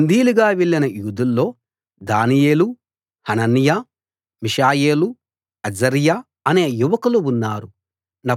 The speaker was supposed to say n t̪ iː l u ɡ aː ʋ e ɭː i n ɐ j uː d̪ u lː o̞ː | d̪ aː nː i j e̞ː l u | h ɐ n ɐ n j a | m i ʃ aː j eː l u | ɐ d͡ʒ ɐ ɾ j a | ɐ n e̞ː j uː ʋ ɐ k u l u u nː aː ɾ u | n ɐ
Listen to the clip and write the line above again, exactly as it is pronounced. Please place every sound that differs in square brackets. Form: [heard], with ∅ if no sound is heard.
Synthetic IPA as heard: n [d̪] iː l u ɡ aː ʋ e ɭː i n ɐ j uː d̪ u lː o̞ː | d̪ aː [n] i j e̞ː l u | h ɐ n ɐ n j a | m i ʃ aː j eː l u | ɐ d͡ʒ ɐ ɾ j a | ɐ n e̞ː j [u] ʋ ɐ k u l u u nː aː ɾ u | n ɐ